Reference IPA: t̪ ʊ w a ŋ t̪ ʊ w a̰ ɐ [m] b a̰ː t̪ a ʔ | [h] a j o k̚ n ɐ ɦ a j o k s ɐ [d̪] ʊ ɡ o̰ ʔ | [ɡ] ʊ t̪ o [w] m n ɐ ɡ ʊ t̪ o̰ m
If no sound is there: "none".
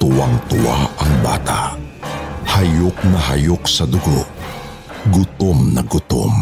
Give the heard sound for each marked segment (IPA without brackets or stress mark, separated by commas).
ŋ, h, d̪, ɡ, none